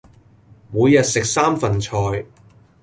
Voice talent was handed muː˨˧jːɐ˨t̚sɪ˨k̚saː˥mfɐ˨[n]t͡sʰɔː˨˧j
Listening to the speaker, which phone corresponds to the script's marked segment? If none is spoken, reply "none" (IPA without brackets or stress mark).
n